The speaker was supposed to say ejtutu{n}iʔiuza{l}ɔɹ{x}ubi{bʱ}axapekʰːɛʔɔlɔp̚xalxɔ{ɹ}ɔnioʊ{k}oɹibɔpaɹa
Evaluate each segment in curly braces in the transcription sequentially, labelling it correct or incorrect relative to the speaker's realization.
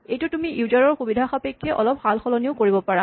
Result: incorrect, incorrect, correct, incorrect, incorrect, correct

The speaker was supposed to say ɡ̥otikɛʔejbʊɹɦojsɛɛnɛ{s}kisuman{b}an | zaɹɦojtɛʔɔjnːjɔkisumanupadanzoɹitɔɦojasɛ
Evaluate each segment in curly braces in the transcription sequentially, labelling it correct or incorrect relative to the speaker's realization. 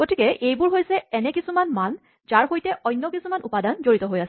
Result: incorrect, incorrect

